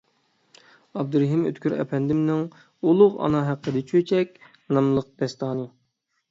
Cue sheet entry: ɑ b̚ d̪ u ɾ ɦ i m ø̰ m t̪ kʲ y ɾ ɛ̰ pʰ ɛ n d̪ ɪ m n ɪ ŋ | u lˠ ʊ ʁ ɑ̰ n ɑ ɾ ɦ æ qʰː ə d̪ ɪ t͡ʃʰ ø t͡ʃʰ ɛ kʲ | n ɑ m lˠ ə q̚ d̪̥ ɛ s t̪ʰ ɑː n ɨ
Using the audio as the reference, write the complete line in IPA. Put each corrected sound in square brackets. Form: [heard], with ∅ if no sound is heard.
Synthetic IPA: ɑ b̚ d̪ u ɾ ɦ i m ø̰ [∅] t̪ kʲ y ɾ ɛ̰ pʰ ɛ n d̪ ɪ m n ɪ ŋ | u lˠ ʊ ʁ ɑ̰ n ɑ [∅] ɦ æ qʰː ə d̪ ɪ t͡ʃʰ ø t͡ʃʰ ɛ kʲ | n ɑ m lˠ ə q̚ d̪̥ ɛ s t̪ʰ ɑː n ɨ